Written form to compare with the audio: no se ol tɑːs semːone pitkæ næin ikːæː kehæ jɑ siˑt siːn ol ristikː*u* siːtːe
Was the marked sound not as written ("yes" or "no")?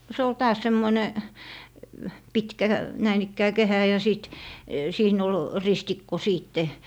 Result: yes